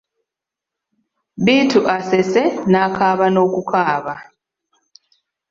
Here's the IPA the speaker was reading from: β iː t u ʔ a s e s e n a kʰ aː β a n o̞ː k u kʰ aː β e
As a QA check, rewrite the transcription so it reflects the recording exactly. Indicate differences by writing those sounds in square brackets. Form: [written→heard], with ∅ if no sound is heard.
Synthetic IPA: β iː t u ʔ a s e s e n a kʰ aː β a n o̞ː k u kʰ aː β [e→a]